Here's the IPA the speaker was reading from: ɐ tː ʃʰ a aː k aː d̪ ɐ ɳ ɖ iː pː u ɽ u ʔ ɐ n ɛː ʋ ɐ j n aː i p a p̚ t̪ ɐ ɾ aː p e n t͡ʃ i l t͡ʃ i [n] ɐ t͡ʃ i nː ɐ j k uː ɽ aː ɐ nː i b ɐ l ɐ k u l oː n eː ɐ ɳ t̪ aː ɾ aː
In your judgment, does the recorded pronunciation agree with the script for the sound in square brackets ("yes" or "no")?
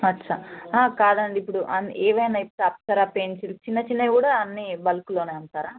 no